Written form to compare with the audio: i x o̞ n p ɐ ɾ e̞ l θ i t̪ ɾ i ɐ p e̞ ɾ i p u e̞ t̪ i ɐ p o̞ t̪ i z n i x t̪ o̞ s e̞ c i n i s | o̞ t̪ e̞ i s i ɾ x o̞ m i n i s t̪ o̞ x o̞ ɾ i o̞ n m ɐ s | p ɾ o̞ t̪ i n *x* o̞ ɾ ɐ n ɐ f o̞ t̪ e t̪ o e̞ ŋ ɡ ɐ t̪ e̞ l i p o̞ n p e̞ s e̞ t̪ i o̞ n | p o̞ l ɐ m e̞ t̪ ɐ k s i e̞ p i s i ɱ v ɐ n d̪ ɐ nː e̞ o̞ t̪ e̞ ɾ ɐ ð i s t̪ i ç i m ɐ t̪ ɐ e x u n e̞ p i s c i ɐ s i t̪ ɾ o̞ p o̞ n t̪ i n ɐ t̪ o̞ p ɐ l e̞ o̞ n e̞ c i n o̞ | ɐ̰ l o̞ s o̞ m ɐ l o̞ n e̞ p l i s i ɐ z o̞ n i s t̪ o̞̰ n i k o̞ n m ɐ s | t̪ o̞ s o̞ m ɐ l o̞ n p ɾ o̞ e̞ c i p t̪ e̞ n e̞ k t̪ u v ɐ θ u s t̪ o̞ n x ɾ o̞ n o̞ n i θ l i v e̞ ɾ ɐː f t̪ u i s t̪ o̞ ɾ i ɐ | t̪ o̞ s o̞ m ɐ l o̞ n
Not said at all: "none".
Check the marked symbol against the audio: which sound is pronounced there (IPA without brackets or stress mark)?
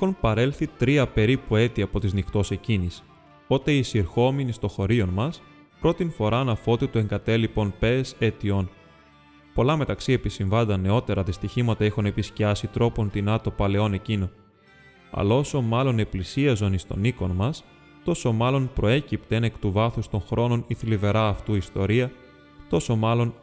f